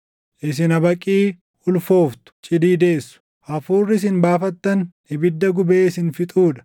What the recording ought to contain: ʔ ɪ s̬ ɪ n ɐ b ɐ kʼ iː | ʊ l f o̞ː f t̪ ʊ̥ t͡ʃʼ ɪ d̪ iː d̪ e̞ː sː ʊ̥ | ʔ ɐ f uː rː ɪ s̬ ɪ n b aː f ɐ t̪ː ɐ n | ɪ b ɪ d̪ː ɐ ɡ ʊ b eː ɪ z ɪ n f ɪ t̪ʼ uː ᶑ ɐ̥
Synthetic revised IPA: ʔ ɪ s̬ ɪ n ɐ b ɐ kʼ iː | ʊ l f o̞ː f t̪ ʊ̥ t͡ʃʼ ɪ d̪ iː d̪ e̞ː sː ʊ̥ | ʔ ɐ f uː rː ɪ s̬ ɪ n b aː f ɐ t̪ː ɐ n | ɪ b ɪ d̪ː ɐ ɡ ʊ b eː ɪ s ɪ n f ɪ t̪ʼ uː ᶑ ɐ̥